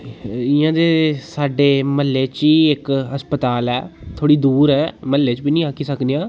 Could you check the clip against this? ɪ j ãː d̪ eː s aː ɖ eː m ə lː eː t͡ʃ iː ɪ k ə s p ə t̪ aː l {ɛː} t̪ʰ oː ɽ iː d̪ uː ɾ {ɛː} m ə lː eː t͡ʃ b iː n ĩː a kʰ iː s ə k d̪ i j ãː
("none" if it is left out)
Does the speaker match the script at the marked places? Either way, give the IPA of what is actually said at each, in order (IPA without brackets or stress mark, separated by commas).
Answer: ɛː, ɛː